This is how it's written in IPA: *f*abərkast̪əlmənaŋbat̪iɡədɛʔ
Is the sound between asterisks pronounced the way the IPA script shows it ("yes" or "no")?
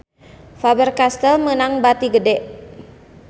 yes